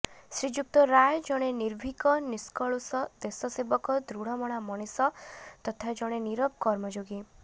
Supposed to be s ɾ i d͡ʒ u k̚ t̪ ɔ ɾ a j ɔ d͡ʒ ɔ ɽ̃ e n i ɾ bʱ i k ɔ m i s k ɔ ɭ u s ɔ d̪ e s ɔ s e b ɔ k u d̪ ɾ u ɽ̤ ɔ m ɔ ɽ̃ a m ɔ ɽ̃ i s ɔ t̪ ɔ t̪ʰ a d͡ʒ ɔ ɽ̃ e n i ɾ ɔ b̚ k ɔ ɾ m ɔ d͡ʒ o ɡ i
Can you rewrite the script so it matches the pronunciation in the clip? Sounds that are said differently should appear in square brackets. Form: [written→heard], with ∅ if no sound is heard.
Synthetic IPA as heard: s ɾ i d͡ʒ u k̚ t̪ ɔ ɾ a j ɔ d͡ʒ ɔ ɽ̃ e n i ɾ bʱ i k ɔ [m→n] i s k ɔ ɭ u s ɔ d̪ e s ɔ s e b ɔ k [u→ɔ] d̪ ɾ u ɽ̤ ɔ m ɔ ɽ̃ a m ɔ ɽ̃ i s ɔ t̪ ɔ t̪ʰ a d͡ʒ ɔ ɽ̃ e n i ɾ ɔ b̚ k ɔ ɾ m ɔ d͡ʒ o ɡ i